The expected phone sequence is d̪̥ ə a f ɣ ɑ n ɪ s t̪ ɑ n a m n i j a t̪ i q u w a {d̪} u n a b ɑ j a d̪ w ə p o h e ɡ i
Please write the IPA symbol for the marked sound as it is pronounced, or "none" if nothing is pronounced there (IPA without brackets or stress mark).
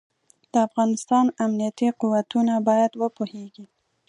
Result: t̪